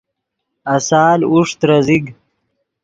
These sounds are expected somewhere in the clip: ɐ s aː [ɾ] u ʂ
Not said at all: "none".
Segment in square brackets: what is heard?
l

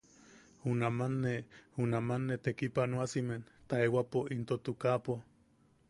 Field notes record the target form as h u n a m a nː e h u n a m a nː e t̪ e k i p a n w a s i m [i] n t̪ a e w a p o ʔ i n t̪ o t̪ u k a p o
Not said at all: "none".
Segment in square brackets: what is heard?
e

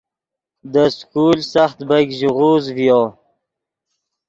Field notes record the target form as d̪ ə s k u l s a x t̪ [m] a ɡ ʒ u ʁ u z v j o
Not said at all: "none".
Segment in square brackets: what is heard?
b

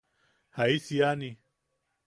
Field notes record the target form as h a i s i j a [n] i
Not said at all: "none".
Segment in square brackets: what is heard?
n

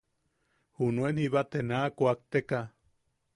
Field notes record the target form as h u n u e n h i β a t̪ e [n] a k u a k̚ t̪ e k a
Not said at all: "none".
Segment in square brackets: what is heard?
n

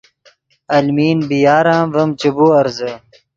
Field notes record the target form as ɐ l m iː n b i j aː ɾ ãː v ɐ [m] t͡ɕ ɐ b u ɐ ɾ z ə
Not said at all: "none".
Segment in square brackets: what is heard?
m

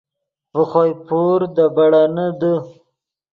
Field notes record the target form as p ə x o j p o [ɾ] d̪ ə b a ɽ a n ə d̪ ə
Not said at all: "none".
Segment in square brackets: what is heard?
ɾ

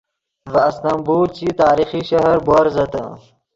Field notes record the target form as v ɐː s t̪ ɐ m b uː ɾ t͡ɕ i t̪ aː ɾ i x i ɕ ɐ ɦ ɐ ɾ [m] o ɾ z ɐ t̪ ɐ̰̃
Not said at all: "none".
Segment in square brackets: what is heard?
b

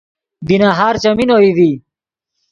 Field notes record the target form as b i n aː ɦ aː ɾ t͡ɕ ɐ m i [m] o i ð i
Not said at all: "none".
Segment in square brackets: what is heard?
n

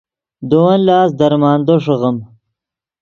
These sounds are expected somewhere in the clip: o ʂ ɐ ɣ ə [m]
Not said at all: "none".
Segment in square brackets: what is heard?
m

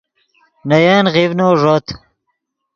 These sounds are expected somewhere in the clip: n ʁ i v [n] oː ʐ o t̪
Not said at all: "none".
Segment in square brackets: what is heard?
n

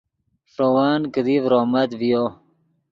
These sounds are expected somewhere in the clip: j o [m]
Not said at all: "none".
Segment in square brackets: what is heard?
none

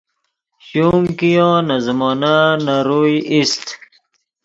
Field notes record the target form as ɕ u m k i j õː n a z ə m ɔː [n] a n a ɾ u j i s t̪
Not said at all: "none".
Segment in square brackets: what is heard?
n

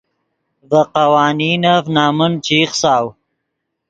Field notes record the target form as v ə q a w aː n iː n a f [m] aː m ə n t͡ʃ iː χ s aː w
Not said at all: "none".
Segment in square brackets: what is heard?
n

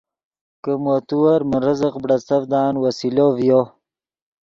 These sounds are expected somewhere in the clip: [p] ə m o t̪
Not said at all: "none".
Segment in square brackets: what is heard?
k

